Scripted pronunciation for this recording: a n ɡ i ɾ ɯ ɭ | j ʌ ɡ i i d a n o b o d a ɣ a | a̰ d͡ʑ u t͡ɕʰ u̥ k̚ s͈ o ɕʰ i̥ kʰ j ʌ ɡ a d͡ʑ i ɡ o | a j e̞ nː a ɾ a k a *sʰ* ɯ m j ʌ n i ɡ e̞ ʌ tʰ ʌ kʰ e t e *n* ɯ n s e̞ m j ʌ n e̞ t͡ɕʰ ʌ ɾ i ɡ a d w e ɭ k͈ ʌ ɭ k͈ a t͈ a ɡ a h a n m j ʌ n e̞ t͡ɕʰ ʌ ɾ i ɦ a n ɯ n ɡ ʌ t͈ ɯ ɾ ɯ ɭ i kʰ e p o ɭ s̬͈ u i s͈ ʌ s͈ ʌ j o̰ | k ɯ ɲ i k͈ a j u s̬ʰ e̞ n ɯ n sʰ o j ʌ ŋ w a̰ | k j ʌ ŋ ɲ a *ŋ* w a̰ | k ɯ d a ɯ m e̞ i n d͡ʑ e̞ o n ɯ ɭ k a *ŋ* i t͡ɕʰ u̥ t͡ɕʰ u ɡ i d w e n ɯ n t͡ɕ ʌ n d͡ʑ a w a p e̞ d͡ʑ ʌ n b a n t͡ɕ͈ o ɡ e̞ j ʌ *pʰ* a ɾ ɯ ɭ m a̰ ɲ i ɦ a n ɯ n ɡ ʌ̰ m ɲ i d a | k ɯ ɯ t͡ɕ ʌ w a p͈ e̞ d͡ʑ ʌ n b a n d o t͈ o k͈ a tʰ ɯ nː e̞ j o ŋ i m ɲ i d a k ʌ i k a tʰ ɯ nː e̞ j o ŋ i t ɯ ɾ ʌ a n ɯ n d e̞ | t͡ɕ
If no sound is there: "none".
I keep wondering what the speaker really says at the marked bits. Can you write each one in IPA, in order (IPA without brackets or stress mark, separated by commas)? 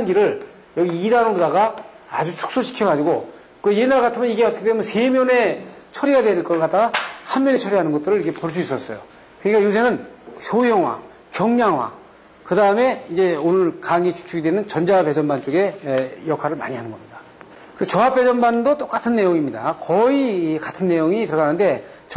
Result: tʰ, m, ŋ, ŋ, kʰ